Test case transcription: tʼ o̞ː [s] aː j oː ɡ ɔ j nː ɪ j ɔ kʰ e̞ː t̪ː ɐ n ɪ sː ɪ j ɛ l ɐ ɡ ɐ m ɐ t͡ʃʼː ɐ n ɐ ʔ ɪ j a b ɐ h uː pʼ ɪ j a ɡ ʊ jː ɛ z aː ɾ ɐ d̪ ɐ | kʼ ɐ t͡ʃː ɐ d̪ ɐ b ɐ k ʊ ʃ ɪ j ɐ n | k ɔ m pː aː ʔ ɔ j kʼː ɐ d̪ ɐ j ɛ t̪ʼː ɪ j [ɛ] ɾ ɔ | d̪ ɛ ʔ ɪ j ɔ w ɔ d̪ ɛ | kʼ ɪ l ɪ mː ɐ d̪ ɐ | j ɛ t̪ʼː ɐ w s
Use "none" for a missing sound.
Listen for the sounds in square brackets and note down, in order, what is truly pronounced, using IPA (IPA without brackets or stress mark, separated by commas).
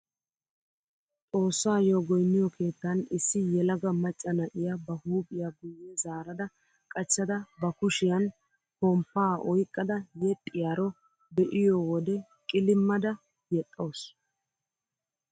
sː, a